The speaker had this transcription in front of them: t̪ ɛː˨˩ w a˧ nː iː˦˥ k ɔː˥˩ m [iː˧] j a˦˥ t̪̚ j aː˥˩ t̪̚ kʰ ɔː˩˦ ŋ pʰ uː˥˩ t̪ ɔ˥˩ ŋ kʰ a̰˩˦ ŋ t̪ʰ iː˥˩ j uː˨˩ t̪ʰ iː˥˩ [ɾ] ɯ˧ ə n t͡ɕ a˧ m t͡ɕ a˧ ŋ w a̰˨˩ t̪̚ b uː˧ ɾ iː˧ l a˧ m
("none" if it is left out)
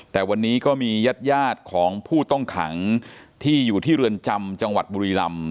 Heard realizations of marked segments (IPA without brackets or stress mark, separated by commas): iː˧, ɾ